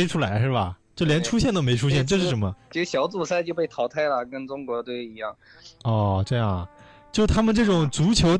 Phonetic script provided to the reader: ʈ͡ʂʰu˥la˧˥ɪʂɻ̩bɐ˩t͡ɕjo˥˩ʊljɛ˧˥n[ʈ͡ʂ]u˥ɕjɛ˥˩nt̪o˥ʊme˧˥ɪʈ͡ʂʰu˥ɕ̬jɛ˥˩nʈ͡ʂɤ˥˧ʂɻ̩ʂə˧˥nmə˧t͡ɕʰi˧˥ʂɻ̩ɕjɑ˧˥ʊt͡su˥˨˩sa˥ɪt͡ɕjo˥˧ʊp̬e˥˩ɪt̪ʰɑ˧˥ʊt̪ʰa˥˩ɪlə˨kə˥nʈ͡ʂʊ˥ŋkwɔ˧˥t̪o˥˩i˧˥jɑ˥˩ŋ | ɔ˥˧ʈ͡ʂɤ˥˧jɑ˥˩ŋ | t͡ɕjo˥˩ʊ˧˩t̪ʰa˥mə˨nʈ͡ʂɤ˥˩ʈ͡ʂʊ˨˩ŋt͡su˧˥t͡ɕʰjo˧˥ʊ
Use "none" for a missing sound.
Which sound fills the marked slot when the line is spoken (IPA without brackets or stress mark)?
ʈ͡ʂʰ